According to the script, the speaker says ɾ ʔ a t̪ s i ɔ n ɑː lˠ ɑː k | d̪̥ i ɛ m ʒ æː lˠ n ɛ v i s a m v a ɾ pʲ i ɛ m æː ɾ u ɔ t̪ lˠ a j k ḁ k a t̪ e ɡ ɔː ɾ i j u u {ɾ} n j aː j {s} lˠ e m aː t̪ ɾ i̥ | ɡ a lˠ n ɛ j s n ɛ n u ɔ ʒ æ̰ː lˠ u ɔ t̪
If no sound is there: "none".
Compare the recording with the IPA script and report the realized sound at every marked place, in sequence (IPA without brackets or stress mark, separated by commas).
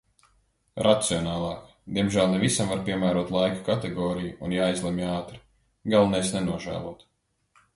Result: none, z